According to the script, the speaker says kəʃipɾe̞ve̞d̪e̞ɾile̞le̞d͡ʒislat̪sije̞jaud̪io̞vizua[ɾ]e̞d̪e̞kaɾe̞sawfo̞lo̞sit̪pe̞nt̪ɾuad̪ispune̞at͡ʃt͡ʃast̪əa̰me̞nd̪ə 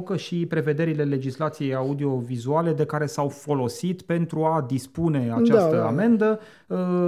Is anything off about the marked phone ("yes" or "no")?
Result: yes